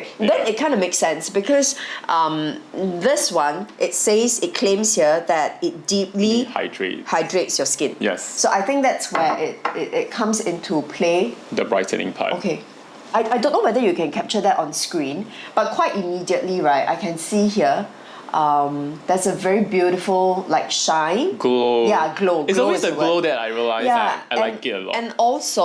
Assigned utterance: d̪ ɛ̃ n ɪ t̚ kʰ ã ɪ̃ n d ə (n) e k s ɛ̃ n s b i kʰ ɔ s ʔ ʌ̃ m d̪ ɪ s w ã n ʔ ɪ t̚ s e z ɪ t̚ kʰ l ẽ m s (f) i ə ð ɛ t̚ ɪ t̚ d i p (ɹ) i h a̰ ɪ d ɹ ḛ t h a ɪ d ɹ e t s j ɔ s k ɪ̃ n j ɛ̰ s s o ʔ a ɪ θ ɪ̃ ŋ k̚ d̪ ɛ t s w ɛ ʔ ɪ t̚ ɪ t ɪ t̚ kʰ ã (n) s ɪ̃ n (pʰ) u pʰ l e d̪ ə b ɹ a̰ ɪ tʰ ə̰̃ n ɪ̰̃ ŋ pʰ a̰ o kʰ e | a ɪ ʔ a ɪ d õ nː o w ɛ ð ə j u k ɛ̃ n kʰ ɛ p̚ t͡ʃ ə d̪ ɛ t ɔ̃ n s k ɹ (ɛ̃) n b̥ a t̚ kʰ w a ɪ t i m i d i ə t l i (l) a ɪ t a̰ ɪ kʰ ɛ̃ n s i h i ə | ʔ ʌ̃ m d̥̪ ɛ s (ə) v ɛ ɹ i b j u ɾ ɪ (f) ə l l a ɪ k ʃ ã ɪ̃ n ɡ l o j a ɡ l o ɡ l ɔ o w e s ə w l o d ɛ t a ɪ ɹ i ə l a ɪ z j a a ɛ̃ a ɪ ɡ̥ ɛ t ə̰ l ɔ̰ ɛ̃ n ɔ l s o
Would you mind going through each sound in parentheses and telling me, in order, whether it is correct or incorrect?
incorrect: m, incorrect: h, incorrect: l, incorrect: m, incorrect: tʰ, incorrect: ĩ, incorrect: ɹ, correct, correct

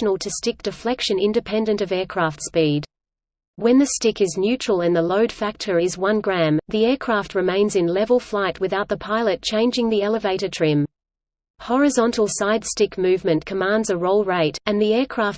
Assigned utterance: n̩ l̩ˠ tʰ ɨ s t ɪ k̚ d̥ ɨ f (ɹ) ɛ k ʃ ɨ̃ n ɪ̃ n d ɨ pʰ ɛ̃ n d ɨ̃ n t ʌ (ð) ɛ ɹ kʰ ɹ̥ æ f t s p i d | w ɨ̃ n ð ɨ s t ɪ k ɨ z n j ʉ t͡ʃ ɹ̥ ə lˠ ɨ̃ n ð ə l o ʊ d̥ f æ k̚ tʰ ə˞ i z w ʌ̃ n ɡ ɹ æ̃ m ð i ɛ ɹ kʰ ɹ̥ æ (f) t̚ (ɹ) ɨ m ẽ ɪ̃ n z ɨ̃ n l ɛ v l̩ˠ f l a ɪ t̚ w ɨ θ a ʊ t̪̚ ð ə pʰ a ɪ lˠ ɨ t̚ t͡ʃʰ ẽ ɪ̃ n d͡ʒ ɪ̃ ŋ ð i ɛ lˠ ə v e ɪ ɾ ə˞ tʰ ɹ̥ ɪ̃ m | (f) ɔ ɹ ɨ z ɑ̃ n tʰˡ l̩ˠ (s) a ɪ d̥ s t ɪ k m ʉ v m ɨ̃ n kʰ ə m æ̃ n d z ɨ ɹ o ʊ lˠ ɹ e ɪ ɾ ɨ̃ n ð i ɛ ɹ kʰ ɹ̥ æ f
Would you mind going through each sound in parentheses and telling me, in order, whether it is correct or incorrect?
incorrect: l, incorrect: v, correct, correct, incorrect: h, correct

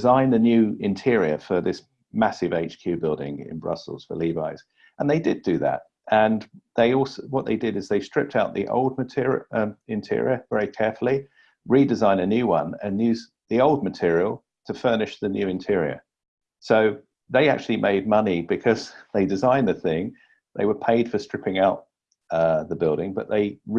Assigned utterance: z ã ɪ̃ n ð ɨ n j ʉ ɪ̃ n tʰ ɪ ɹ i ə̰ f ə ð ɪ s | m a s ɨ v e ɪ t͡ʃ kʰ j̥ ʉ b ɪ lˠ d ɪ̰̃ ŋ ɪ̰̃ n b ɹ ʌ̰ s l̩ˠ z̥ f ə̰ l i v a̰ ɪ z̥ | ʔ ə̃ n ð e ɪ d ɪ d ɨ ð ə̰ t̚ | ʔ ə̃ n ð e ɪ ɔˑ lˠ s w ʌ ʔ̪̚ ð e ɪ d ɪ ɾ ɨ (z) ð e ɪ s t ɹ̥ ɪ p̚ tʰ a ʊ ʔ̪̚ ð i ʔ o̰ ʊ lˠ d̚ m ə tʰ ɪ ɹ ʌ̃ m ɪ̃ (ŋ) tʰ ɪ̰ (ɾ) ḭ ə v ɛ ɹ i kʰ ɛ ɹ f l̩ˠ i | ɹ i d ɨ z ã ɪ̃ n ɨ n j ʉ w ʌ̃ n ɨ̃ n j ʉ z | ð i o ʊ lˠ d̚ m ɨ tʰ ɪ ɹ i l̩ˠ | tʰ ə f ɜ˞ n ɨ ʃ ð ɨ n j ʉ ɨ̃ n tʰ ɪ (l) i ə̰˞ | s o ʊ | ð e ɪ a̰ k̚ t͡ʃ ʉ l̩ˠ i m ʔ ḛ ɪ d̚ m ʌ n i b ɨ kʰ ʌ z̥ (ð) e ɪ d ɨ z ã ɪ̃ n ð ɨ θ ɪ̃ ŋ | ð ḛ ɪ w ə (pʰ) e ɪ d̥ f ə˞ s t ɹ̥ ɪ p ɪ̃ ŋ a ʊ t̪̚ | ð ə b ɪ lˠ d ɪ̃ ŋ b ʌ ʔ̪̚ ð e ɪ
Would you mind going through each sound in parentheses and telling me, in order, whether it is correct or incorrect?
correct, incorrect: n, incorrect: ɹ, incorrect: ɹ, correct, correct

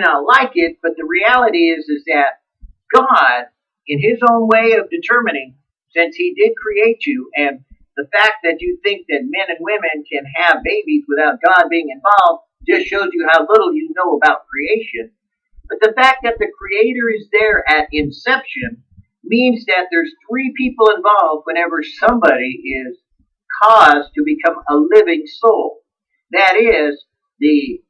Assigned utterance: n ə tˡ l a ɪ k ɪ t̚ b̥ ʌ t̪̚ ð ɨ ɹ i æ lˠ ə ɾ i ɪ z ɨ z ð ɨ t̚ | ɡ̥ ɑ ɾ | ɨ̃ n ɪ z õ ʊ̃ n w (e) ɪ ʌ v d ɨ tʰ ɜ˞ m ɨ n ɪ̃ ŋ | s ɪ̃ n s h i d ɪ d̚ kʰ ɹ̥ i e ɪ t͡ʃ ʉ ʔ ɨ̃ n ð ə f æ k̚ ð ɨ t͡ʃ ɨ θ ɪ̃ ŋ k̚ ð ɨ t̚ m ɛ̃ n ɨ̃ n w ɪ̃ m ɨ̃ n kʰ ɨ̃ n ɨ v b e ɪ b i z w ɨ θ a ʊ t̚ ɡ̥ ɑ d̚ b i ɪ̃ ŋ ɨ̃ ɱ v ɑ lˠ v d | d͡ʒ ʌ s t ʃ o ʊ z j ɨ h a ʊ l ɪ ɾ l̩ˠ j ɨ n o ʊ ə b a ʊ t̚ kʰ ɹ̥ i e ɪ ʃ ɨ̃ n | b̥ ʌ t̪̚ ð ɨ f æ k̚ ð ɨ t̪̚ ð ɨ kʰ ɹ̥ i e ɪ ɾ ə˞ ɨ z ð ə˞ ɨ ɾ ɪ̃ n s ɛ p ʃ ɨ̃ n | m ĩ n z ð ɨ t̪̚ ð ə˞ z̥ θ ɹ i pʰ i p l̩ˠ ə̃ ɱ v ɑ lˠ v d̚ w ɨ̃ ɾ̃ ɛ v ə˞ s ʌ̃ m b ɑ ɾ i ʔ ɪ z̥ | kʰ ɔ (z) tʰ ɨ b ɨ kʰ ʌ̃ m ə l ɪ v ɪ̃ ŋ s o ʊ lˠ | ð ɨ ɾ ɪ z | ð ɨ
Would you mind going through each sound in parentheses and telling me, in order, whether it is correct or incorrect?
correct, correct

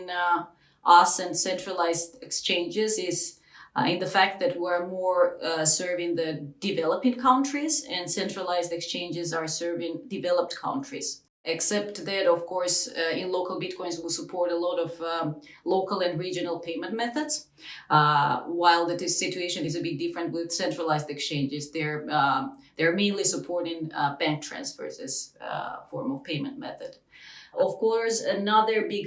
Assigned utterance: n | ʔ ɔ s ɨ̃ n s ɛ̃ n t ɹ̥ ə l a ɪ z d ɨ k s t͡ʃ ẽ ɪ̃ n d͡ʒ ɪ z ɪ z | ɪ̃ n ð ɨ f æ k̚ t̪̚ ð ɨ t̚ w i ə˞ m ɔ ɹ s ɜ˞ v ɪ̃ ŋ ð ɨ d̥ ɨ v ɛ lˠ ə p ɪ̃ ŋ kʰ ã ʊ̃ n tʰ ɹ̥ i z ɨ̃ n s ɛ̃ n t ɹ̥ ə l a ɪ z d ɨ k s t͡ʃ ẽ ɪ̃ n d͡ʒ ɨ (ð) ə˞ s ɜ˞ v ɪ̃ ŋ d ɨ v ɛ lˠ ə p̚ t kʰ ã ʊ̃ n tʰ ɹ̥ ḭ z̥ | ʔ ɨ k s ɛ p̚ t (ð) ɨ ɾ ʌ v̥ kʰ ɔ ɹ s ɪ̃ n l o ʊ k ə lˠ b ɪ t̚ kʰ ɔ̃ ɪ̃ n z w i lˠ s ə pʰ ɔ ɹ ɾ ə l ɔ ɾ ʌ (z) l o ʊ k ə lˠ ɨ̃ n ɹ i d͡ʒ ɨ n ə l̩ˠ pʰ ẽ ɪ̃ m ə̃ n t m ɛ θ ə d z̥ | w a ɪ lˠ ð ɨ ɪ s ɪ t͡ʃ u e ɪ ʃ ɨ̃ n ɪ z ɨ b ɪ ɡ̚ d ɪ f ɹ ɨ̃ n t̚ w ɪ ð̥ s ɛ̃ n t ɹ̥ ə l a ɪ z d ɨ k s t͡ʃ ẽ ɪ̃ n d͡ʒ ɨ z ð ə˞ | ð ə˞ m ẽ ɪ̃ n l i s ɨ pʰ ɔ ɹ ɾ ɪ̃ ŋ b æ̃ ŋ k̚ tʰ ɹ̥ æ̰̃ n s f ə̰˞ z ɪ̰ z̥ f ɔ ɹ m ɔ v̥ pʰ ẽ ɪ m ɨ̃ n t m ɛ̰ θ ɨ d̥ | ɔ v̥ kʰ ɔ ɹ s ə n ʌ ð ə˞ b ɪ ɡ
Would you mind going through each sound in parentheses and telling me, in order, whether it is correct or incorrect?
incorrect: z, correct, incorrect: v

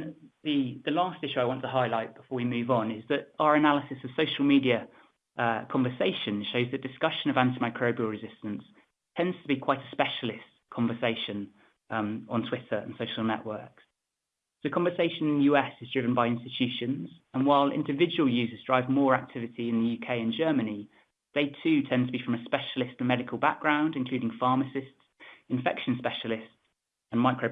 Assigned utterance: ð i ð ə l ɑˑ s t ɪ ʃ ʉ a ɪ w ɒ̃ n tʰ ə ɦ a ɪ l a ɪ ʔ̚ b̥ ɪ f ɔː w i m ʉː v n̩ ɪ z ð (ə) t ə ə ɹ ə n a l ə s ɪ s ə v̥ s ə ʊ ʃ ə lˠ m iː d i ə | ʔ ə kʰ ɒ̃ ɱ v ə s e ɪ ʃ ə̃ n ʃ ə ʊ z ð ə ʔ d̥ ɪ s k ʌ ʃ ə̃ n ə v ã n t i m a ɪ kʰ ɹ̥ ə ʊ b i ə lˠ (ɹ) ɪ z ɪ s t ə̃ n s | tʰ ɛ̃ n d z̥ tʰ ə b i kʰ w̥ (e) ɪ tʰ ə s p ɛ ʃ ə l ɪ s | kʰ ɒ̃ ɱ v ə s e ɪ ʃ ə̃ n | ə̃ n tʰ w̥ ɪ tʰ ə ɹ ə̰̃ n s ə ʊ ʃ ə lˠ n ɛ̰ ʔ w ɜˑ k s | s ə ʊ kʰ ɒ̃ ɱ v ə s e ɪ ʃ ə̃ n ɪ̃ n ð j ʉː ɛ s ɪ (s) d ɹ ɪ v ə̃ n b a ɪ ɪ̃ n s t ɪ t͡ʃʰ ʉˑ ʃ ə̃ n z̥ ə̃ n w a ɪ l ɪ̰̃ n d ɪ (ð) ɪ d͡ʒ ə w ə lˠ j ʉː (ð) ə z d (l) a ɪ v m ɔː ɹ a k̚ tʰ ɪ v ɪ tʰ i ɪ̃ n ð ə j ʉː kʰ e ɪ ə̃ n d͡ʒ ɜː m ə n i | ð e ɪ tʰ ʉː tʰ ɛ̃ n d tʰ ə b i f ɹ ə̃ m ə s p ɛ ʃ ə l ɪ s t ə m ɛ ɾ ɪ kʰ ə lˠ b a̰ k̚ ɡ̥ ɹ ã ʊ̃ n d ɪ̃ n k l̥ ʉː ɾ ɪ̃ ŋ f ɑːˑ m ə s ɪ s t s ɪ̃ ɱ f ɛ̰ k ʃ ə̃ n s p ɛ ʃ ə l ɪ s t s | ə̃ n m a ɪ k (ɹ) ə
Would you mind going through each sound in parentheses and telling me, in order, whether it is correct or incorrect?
correct, correct, incorrect: a, incorrect: z, incorrect: v, incorrect: z, incorrect: ɹ, correct

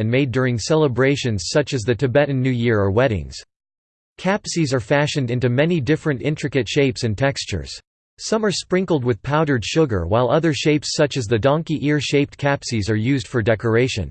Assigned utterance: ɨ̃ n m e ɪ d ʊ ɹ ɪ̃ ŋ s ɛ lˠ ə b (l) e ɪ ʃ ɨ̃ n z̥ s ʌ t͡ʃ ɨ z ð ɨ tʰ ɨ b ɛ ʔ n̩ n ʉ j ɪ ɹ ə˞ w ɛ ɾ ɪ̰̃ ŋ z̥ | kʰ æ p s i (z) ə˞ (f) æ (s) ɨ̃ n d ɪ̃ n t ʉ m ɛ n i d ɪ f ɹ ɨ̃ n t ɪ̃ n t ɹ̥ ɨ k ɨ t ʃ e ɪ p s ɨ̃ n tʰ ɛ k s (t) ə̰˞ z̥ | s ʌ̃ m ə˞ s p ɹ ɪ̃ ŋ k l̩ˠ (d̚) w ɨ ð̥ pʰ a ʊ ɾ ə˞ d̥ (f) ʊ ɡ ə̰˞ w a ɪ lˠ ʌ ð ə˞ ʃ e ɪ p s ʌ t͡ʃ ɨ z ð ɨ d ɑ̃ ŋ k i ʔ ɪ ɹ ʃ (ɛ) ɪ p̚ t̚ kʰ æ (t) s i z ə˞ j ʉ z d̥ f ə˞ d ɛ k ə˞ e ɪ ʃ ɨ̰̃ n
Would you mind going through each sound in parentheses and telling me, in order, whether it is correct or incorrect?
incorrect: ɹ, correct, correct, incorrect: ʃ, incorrect: t͡ʃ, correct, incorrect: ʃ, incorrect: e, incorrect: p

